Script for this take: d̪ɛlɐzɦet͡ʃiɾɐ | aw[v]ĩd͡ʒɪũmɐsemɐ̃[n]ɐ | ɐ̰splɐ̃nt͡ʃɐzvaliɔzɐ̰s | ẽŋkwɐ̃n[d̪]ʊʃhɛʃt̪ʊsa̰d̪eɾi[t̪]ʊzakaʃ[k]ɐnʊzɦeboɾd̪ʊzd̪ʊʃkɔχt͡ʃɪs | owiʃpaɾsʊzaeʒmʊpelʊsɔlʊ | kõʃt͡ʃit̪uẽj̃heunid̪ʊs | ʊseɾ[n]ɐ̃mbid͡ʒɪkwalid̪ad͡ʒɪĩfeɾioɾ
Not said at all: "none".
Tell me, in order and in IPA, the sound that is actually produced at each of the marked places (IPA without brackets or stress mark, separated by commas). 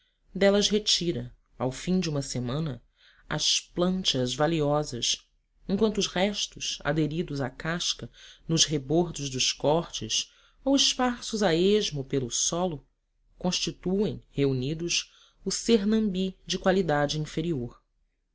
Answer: f, n, t̪, d̪, k, n